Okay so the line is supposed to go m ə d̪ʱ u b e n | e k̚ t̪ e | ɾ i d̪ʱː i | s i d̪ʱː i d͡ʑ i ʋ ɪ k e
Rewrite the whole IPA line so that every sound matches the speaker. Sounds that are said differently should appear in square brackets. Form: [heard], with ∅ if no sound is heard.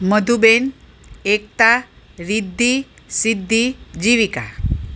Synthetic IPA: m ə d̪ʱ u b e n | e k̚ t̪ [a] | ɾ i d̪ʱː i | s i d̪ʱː i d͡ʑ i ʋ [i] k [a]